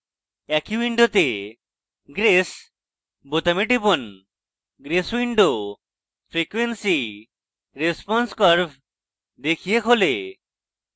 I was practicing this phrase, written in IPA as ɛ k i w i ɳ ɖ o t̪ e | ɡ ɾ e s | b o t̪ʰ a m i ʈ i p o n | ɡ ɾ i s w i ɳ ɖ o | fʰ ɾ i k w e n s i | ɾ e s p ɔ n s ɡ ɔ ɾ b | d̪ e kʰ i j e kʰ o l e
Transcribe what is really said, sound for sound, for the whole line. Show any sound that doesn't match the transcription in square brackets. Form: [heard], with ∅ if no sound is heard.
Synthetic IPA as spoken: ɛ k i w i ɳ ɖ o t̪ e | ɡ ɾ e s | b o [t̪] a m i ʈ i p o n | ɡ ɾ [e] s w i ɳ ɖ o | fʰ ɾ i k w e n s i | ɾ e s p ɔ n s [k] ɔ ɾ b | d̪ e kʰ i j e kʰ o l e